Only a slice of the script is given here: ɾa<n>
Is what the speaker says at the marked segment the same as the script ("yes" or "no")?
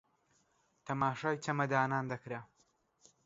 no